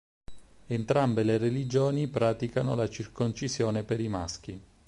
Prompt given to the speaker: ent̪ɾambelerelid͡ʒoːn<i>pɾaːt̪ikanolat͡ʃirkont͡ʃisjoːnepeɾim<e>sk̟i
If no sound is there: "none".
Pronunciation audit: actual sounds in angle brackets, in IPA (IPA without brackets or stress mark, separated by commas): i, a